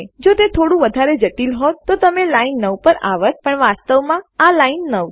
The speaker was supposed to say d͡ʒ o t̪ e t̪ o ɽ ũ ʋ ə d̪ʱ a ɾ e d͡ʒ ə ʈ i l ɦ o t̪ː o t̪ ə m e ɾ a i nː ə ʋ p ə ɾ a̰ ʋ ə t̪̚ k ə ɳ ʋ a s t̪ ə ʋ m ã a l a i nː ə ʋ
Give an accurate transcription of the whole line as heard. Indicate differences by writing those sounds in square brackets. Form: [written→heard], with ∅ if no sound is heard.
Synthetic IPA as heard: d͡ʒ o t̪ e [t̪→t̪ʰ] o ɽ ũ ʋ ə d̪ʱ a ɾ e d͡ʒ ə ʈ i l ɦ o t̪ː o t̪ ə m e [ɾ→l] a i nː ə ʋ p ə ɾ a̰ ʋ ə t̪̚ [k→p] ə ɳ ʋ a s t̪ ə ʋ m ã a l a i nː ə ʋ